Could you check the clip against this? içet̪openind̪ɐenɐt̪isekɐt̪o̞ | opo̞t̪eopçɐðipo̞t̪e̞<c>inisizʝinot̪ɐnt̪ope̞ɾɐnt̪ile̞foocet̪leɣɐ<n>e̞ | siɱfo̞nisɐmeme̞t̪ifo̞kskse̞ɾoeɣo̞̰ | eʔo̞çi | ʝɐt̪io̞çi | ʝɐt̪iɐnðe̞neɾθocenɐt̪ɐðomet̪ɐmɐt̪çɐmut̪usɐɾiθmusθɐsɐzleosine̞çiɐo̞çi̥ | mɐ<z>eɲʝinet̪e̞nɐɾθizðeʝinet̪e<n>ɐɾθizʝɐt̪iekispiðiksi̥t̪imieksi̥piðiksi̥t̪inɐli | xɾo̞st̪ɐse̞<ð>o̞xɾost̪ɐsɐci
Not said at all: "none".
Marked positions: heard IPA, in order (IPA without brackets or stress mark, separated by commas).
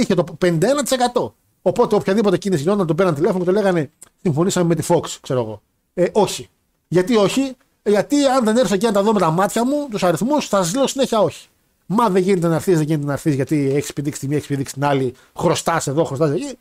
c, n, ð, n, ð